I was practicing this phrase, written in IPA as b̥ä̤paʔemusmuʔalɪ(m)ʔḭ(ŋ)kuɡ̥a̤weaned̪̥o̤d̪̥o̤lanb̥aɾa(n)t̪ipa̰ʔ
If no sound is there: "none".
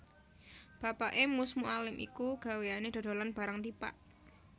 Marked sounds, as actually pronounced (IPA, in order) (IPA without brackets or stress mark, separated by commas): m, none, ŋ